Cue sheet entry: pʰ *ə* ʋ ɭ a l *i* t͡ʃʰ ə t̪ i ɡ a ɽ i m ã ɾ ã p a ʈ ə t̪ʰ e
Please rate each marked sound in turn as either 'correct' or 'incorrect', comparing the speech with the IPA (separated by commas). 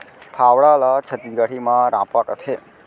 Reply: incorrect, incorrect